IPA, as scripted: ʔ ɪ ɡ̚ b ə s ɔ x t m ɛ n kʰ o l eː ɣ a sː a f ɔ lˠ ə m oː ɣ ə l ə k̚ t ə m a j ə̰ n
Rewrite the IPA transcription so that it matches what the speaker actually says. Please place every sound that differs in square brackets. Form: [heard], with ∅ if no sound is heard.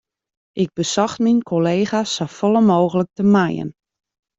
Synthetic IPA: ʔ ɪ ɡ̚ b ə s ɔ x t m [i] n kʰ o l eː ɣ a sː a f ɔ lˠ ə m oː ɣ ə l ə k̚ t ə m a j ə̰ n